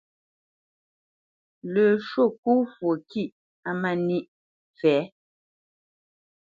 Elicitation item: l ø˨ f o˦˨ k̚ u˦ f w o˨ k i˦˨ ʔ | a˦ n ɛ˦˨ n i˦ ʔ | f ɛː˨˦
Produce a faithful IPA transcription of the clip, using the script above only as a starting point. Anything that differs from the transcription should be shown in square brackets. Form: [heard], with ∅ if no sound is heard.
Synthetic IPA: l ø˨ [ʃ] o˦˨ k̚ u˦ f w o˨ k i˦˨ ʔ | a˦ [m] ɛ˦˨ n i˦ ʔ | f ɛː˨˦